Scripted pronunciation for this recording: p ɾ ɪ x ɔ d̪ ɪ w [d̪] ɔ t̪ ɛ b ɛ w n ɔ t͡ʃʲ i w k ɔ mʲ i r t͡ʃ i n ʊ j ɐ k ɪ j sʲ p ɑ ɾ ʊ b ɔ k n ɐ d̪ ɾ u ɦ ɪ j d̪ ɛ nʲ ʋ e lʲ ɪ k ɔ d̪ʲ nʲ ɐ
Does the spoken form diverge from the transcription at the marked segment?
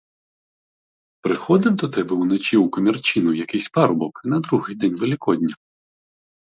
no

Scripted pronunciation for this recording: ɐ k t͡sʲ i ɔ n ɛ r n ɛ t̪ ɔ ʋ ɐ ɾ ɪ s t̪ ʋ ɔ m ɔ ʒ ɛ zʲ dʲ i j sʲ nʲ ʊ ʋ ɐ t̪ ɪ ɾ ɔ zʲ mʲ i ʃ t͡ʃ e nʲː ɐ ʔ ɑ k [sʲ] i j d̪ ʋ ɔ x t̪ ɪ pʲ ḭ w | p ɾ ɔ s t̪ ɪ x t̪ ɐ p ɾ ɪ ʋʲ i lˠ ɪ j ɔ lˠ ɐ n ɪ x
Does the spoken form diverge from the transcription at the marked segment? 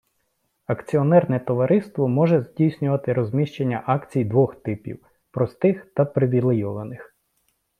yes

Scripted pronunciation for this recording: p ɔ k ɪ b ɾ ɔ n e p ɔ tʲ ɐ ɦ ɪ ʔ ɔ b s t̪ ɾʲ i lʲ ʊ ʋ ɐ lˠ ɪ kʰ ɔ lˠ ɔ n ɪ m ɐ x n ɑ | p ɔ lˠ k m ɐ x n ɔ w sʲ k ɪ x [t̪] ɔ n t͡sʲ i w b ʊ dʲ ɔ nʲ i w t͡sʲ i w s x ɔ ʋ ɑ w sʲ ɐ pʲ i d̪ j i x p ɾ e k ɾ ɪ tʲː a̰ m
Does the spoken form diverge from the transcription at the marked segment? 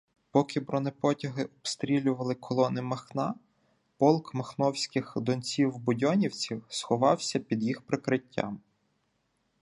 yes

